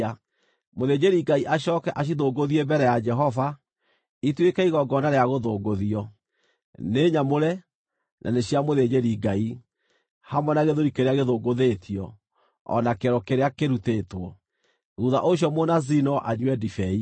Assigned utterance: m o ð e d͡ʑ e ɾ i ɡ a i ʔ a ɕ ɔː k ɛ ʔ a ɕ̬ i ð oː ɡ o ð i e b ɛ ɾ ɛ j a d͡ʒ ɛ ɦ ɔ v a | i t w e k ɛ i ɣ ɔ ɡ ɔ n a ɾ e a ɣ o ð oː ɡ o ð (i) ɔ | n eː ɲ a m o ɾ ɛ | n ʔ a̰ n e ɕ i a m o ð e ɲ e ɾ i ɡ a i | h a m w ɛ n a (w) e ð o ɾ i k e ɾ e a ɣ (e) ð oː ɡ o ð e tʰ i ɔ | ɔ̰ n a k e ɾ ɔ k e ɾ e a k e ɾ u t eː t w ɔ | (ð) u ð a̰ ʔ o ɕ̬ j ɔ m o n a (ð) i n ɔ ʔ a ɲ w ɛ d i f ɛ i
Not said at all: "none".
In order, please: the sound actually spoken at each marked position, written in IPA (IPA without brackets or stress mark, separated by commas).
i, ɣ, e, ɣ, z